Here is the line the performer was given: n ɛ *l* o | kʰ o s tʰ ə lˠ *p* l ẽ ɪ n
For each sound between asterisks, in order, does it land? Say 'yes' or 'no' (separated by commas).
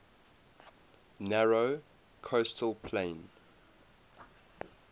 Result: no, no